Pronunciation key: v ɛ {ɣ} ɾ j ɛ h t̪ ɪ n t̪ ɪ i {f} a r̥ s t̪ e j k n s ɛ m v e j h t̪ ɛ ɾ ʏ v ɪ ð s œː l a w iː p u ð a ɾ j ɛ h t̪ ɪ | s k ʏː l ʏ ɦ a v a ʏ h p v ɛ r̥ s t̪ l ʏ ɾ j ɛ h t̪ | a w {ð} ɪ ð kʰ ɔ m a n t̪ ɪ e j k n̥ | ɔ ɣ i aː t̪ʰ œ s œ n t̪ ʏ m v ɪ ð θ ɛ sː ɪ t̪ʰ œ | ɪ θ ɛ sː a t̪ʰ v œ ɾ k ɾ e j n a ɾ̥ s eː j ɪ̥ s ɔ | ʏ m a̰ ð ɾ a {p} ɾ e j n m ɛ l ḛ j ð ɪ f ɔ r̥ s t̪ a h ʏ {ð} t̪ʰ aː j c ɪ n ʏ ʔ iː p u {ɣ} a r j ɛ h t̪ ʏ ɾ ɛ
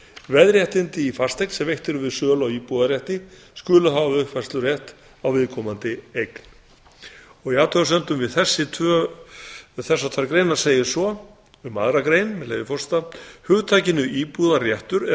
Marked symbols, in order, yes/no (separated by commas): no, yes, no, no, no, no